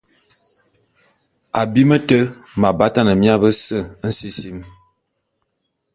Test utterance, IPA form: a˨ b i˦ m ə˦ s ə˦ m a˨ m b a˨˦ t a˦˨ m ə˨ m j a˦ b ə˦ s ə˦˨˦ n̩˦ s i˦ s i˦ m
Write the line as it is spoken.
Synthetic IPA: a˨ b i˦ m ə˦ t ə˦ m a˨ b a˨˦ t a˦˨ n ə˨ m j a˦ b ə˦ s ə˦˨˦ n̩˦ s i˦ s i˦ m